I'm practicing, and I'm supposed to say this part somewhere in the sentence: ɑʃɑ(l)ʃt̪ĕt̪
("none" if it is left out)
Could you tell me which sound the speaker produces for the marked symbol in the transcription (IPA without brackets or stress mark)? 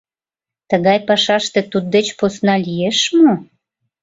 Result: none